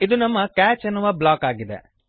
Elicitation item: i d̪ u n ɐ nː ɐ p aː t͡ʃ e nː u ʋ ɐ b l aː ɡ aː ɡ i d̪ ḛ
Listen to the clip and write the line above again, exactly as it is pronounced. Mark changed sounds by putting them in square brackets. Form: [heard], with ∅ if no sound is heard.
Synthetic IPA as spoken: i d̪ u n ɐ [mː] ɐ [k] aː t͡ʃ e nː u ʋ ɐ b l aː [k] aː ɡ i d̪ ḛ